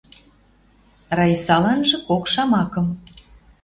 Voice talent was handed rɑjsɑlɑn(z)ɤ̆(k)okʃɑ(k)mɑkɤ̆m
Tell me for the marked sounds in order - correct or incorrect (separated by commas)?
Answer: incorrect, correct, incorrect